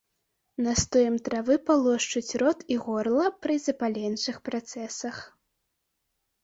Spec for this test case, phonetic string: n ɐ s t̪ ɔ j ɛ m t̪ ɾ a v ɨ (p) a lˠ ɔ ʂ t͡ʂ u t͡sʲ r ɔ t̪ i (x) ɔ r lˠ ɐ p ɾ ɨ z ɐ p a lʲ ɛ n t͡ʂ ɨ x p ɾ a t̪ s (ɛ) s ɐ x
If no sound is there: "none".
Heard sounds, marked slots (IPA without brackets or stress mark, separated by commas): p, ɣ, ɛ